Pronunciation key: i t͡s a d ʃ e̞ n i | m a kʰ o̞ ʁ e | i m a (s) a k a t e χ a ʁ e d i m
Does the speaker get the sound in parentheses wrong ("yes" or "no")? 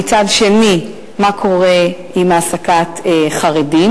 no